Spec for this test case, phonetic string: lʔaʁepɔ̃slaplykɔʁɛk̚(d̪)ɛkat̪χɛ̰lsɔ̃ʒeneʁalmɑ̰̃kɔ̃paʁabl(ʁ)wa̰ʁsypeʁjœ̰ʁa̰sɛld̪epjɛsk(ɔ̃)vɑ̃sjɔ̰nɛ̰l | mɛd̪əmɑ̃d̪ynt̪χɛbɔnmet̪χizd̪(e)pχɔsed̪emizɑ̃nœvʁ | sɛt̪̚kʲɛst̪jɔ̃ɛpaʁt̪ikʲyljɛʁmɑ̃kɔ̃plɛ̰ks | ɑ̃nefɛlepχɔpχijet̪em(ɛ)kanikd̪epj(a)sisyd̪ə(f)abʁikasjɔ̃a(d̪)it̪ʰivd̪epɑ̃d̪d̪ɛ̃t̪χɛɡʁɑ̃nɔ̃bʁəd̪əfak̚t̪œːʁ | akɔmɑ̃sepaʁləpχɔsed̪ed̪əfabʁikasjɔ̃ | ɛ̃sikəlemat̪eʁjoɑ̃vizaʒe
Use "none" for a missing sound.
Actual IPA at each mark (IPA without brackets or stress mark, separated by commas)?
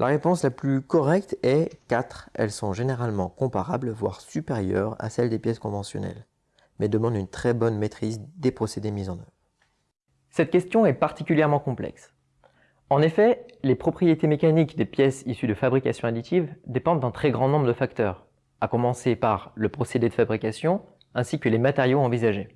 t̪, v, ɔ̃, e, e, ɛ, f, d̪